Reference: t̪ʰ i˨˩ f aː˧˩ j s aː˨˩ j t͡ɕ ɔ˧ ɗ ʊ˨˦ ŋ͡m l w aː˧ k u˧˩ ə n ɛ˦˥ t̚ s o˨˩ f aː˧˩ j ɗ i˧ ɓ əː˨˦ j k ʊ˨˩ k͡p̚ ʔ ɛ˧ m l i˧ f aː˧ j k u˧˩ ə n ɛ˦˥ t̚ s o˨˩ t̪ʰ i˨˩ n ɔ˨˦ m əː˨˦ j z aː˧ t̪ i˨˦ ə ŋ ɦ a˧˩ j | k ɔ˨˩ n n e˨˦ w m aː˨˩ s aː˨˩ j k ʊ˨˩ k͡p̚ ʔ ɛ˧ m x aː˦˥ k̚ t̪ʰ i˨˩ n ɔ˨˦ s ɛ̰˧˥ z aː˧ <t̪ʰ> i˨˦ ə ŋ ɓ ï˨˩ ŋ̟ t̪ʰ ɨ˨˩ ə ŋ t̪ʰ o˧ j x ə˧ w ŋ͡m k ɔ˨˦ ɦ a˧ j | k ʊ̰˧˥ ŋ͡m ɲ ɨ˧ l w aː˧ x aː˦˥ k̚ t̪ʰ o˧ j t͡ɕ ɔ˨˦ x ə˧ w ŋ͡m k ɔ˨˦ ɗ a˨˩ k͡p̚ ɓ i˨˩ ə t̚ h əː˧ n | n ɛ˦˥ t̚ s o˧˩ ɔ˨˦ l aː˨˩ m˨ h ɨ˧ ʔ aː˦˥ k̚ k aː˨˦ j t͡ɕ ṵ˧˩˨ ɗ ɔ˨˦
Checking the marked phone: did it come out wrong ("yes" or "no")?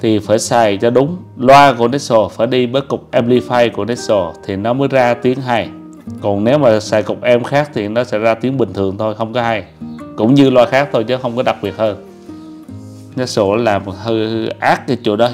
yes